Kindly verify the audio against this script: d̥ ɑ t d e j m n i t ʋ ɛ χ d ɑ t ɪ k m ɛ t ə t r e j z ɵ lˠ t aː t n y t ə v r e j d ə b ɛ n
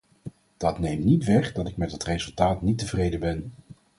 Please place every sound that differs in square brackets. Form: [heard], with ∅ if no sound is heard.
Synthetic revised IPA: d̥ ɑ t [n] e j m n i t ʋ ɛ χ d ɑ t ɪ k m ɛ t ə t r e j z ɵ lˠ t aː t n [i] t ə v r e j d ə b ɛ n